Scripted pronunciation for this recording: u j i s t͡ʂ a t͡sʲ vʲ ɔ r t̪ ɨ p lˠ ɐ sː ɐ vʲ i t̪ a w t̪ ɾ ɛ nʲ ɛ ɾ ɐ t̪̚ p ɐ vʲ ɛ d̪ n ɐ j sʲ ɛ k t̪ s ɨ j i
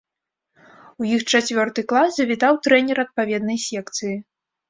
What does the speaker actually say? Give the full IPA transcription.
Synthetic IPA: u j i x t͡ʂ a t͡sʲ vʲ ɔ r t̪ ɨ k lˠ a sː ɐ vʲ i t̪ a w t̪ ɾ ɛ nʲ ɛ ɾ ɐ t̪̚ p a vʲ ɛ d̪ n ɐ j sʲ ɛ k t̪ s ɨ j i